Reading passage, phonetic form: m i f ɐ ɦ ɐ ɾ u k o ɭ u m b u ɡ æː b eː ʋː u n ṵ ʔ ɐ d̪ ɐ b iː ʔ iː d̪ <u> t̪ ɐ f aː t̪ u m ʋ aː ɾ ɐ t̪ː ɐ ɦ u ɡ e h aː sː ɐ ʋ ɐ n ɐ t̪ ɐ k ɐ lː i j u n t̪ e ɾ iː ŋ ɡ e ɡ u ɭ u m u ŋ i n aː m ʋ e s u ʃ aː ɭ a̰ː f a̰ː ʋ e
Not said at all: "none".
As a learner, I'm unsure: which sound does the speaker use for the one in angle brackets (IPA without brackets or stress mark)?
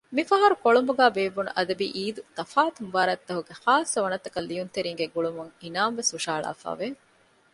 u